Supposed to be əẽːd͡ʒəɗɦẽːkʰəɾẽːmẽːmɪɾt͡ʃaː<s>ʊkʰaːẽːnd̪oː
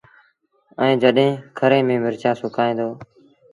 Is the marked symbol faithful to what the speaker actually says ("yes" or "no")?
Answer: yes